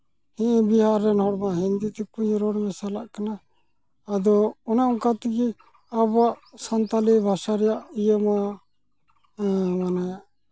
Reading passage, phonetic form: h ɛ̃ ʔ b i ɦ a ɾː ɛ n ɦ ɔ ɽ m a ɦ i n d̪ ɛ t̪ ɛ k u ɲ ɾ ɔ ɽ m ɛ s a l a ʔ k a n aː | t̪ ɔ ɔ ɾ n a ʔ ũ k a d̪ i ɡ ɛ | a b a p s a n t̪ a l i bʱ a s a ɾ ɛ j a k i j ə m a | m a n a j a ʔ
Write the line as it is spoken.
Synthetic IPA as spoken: h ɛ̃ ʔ b i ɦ a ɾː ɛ n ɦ ɔ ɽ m a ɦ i n d̪ i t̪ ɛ k u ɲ ɾ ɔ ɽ m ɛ s a l a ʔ k a n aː | d̪ ɔ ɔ n a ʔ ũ k a t̪ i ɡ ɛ | a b a ʔ s a n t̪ a l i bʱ a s a ɾ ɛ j a ʔ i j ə m a | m a n a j a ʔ